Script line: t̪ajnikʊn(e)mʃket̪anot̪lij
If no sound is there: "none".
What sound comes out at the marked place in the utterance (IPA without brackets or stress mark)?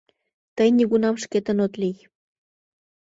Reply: a